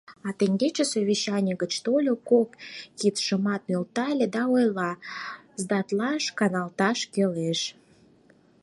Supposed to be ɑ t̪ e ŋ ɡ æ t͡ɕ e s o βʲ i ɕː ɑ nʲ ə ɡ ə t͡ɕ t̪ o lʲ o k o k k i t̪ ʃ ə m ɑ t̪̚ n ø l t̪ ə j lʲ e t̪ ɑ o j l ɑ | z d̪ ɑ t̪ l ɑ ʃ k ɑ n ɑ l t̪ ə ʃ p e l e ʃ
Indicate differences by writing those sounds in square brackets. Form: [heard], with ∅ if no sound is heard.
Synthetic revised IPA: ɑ t̪ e ŋ ɡ [e] t͡ɕ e s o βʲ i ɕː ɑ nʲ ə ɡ ə t͡ɕ t̪ o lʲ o k o k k i t̪ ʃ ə m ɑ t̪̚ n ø l t̪ [ɑ] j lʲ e [d̪] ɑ o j l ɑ | z d̪ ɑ t̪ l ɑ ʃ k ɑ n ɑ l t̪ [ɑ] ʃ [k] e l e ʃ